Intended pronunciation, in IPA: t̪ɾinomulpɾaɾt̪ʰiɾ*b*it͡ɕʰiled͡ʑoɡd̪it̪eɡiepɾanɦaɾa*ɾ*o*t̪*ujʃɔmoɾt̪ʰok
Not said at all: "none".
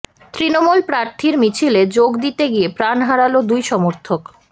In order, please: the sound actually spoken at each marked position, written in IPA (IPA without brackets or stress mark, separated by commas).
m, l, d̪